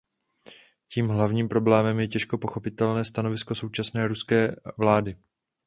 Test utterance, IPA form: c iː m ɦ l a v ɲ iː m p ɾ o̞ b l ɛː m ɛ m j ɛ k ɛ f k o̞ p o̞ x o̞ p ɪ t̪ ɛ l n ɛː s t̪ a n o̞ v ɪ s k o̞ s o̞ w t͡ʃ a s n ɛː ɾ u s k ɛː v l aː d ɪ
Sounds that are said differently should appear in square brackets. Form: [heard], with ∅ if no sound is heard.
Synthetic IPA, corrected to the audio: c iː m ɦ l a v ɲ iː m p ɾ o̞ b l ɛː m ɛ m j ɛ [c] ɛ [ʃ] k o̞ p o̞ x o̞ p ɪ t̪ ɛ l n ɛː s t̪ a n o̞ v ɪ s k o̞ s o̞ w t͡ʃ a s n ɛː ɾ u s k ɛː v l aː d ɪ